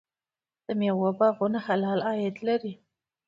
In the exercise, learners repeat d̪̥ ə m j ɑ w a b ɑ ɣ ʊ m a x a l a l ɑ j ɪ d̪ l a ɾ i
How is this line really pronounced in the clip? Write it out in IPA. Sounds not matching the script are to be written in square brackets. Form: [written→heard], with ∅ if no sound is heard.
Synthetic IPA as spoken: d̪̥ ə m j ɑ w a b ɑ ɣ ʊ [m→n] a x a l [a→ɑ] l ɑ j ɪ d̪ l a ɾ i